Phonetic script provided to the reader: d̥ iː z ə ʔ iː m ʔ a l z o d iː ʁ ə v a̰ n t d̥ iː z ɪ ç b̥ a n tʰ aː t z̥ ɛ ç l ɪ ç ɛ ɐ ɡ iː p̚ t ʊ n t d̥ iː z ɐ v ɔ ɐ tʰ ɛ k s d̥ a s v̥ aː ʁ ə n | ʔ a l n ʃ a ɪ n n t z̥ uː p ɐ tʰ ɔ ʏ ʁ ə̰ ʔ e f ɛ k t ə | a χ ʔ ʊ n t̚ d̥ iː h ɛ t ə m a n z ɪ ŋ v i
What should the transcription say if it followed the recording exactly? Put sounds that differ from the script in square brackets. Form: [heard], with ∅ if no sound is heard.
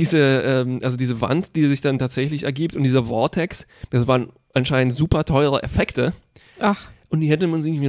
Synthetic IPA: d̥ iː z ə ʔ [ɛː] m ʔ a l z o d iː [z] ə v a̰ n t d̥ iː z ɪ ç [d̥] a n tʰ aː t z̥ ɛ ç l ɪ ç ɛ ɐ ɡ iː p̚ t ʊ n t d̥ iː z ɐ v ɔ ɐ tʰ ɛ k s d̥ a s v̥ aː ʁ ə n | ʔ a [∅] n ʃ a ɪ n n t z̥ uː p ɐ tʰ ɔ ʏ ʁ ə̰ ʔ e f ɛ k t ə | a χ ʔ ʊ n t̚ d̥ iː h ɛ t ə m a n z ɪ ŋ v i